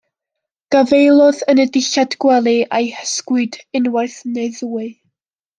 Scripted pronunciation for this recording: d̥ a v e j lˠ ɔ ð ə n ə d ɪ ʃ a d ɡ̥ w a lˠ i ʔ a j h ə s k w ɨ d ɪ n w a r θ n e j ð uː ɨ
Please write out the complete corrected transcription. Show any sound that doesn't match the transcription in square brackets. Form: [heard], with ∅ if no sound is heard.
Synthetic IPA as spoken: [ɡ̥] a v e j lˠ ɔ ð ə n ə d ɪ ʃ a d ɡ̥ w [ɛ] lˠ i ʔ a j h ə s k w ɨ d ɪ n w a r θ n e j ð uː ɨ